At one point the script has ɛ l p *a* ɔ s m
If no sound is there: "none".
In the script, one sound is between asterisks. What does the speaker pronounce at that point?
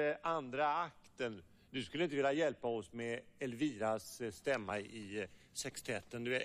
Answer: a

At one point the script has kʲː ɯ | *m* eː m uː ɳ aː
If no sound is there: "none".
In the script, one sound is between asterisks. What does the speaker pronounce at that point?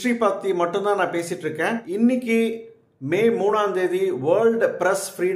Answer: m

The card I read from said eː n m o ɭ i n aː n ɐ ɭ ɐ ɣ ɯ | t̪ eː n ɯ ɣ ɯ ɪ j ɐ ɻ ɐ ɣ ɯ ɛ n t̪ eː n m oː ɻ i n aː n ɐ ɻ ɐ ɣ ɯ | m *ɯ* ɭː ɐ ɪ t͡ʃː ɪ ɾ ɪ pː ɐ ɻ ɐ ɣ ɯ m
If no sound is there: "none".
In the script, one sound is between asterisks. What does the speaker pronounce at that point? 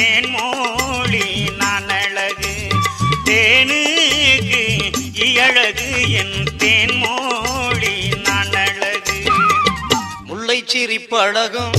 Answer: ʊ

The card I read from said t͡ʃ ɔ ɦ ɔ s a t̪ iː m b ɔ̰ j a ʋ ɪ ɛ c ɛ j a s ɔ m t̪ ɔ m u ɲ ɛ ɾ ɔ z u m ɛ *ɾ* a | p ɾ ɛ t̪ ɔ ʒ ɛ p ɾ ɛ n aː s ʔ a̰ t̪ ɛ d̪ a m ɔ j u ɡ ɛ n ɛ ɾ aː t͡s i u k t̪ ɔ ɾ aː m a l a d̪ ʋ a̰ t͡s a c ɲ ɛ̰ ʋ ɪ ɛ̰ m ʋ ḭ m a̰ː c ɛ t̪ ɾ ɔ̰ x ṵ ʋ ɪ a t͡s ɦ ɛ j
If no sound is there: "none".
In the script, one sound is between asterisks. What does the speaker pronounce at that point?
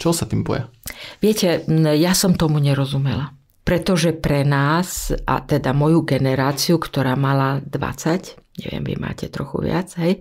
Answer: l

